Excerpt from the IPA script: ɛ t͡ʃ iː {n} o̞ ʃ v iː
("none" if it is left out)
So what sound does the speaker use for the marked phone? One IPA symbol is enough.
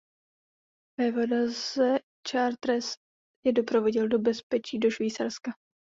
d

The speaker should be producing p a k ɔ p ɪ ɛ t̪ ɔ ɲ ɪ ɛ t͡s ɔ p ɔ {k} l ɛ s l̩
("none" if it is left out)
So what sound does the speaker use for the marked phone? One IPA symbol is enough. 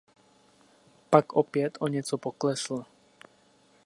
k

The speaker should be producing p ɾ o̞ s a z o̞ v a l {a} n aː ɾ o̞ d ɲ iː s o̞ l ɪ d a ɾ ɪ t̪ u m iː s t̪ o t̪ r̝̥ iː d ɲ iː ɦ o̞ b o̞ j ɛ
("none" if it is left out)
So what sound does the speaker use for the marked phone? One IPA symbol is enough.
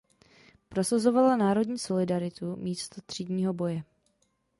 a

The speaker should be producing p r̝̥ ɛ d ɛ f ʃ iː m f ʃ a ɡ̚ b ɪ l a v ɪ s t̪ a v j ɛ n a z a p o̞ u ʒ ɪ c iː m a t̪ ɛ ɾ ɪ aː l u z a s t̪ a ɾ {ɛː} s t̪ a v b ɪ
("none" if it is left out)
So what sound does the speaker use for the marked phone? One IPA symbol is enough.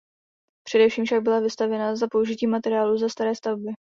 ɛː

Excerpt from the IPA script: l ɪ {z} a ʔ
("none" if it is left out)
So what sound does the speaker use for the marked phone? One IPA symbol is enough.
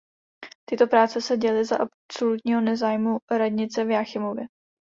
z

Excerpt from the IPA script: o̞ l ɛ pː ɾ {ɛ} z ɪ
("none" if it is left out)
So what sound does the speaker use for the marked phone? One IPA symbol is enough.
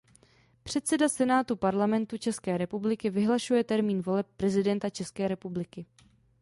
ɛ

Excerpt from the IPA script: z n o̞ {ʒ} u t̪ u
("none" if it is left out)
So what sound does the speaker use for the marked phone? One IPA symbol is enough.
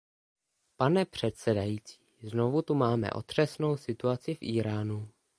v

